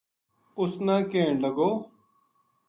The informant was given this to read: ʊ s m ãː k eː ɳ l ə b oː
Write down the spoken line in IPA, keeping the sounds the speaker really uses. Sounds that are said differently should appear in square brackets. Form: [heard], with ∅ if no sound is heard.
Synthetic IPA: ʊ s [n] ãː k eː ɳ l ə [ɡ] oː